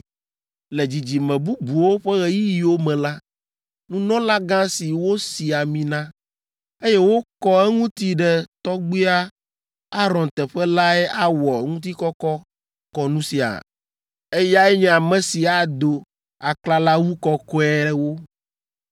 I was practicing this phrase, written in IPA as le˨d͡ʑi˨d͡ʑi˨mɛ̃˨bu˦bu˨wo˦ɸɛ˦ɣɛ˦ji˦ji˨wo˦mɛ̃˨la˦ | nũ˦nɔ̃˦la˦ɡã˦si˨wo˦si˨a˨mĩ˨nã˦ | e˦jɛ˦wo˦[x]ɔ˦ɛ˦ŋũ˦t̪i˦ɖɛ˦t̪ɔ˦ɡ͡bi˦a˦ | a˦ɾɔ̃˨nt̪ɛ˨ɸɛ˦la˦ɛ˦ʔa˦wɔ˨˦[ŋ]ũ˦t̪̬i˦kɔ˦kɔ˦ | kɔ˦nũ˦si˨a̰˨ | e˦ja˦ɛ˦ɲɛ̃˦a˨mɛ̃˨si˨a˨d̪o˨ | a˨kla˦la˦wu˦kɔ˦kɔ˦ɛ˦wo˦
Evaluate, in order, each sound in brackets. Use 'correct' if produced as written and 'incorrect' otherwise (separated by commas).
incorrect, correct